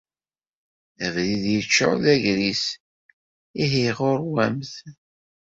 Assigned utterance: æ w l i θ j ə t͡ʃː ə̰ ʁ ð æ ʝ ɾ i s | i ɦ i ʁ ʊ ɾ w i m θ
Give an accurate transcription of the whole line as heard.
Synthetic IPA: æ v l i ð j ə t͡ʃː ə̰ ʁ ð æ ʝ ɾ i s | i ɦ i ʁ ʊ ɾ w æ m θ